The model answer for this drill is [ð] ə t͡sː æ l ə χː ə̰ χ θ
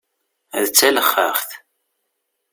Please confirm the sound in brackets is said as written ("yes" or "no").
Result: yes